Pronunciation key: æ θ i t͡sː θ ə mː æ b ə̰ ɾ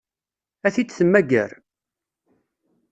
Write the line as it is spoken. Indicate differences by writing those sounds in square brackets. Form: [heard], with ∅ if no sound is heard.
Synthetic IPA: æ θ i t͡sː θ ə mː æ [ɡ] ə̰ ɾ